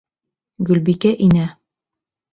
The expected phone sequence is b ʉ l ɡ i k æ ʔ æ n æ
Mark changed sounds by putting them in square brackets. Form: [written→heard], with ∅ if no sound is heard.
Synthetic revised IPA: [b→ɡ] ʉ l [ɡ→b] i k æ ʔ [æ→i] n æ